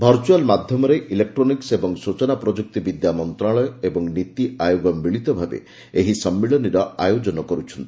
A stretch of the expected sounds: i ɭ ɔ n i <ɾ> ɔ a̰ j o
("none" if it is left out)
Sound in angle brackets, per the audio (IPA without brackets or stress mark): ɾ